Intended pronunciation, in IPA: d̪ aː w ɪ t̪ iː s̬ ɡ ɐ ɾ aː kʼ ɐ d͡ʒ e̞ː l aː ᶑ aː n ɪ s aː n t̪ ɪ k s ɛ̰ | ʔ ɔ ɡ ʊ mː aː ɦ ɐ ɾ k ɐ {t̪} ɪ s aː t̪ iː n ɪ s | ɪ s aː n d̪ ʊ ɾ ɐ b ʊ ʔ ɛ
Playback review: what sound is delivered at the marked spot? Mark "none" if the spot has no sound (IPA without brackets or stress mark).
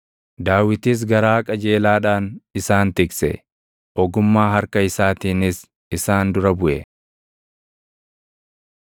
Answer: none